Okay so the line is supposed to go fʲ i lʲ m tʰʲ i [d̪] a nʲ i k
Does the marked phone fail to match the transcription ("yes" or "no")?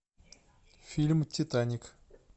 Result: yes